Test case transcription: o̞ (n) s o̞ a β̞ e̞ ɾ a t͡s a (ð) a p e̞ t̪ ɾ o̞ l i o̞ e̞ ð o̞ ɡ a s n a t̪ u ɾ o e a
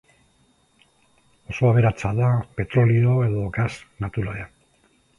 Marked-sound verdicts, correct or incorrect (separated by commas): incorrect, correct